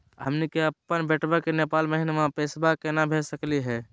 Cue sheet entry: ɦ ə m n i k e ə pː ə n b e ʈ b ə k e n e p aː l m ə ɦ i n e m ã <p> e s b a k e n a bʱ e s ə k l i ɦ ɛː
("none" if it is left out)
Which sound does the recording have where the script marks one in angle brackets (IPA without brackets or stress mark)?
p